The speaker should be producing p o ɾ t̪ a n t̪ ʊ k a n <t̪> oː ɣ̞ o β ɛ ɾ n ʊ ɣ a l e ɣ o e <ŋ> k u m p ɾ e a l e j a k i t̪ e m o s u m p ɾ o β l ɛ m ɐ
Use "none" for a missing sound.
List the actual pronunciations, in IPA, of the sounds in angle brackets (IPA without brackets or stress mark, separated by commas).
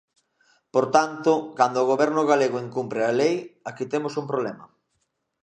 d̪, ŋ